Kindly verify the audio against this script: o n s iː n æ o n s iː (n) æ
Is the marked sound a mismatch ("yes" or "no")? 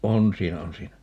no